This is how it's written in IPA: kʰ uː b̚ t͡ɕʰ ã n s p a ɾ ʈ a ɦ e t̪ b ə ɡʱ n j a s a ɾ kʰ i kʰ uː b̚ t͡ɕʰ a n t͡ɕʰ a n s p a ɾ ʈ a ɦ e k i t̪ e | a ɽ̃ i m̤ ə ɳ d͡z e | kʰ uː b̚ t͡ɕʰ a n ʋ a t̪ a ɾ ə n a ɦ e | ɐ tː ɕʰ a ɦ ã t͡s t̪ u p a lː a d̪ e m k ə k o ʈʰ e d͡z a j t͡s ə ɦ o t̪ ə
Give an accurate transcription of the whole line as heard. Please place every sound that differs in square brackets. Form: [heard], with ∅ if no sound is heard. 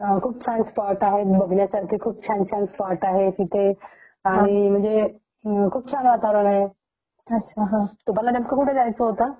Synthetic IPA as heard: kʰ uː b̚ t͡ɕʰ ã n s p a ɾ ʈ a ɦ e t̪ b ə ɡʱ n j a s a ɾ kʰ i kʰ uː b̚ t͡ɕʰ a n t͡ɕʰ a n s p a ɾ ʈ a ɦ e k i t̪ e | a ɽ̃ i m̤ ə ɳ d͡z e | kʰ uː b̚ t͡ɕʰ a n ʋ a t̪ a ɾ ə n a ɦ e | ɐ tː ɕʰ a ɦ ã [∅] t̪ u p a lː a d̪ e m k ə k [u] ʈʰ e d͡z a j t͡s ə ɦ o t̪ [a]